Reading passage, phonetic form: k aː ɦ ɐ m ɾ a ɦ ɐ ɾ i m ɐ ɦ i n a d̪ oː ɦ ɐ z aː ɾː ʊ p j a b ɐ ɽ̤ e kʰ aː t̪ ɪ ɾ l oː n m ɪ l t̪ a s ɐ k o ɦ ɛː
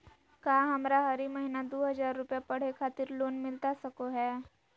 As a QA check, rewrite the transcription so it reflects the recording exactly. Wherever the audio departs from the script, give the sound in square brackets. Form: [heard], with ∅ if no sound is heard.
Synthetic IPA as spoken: k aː ɦ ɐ m ɾ a ɦ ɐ ɾ i m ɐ ɦ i n a d̪ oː ɦ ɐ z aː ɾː ʊ p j a [p] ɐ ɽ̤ e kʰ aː t̪ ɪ ɾ l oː n m ɪ l t̪ a s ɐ k o ɦ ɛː